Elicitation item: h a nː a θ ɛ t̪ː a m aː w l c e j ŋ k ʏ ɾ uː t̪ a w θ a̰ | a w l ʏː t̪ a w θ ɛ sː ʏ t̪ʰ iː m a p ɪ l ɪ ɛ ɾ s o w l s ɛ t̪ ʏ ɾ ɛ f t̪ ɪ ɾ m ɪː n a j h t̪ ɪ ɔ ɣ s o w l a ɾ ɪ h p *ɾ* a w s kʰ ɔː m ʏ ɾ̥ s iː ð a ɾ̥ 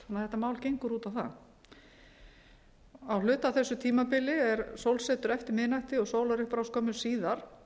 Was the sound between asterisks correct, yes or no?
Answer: yes